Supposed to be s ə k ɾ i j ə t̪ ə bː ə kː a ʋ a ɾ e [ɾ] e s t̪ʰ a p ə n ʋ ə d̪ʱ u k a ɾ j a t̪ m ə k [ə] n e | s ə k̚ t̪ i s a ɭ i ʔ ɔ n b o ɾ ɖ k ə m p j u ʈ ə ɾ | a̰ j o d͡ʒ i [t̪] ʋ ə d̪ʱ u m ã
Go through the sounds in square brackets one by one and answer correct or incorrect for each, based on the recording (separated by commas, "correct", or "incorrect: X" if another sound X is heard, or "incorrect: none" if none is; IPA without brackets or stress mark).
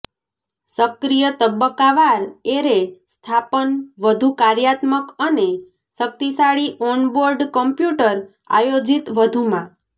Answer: correct, correct, correct